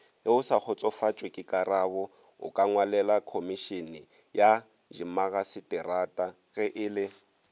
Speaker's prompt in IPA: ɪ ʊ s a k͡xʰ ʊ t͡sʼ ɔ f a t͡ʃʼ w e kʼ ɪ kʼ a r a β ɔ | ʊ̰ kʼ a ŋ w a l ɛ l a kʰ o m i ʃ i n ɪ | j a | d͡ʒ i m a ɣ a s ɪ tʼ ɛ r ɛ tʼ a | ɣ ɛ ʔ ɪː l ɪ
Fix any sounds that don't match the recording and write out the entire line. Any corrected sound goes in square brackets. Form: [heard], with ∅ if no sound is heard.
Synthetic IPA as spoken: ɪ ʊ s a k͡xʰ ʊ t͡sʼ ɔ f a t͡ʃʼ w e kʼ ɪ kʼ a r a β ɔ | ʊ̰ kʼ a ŋ w a l ɛ l a kʰ o m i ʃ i n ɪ | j a | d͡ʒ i m a ɣ a s ɪ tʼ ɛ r [a] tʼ a | ɣ ɛ ʔ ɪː l ɪ